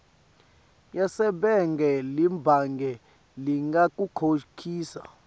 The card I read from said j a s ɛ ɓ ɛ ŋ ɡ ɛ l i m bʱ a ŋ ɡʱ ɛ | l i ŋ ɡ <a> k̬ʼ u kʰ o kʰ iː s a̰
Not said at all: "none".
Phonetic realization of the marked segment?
a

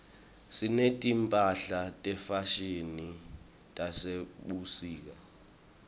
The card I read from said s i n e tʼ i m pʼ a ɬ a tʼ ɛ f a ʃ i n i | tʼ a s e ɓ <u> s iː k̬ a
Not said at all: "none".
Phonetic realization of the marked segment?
u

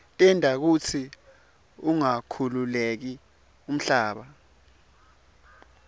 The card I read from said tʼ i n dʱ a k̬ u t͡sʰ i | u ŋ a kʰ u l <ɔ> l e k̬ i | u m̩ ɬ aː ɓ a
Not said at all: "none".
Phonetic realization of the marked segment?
u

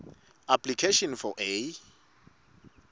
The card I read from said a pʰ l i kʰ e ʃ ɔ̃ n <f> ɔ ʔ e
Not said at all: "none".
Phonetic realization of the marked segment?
f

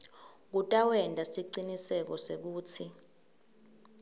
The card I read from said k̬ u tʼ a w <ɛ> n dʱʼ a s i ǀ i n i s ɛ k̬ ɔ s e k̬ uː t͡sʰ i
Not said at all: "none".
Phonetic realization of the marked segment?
ɛ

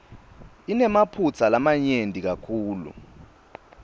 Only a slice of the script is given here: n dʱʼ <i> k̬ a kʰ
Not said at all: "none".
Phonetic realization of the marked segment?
i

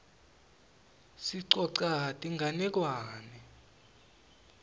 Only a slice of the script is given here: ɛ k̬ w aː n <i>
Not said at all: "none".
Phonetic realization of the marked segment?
ɛ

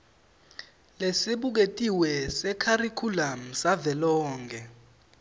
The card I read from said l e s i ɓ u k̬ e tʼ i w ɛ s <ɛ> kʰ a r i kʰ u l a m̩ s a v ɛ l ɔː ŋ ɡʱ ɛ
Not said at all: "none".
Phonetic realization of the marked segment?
ɛ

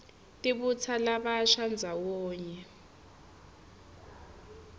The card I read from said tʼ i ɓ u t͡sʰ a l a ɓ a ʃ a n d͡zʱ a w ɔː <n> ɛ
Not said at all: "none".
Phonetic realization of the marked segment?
ɲ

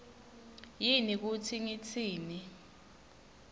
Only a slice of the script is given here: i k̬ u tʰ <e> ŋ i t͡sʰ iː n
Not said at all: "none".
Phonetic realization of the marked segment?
i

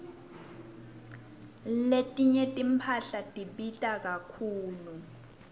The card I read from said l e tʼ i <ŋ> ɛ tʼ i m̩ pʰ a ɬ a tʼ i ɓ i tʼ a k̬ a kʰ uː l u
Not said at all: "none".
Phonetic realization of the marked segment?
ɲ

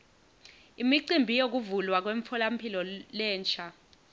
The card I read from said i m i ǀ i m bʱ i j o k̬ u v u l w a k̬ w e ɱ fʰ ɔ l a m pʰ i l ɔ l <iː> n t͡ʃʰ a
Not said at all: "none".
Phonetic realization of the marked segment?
ɛː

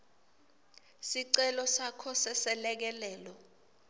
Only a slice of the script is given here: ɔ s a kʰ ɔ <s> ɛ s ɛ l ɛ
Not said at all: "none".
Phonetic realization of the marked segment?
s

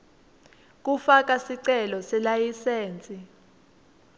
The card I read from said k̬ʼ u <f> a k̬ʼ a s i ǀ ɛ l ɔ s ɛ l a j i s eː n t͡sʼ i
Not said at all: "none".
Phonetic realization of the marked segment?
f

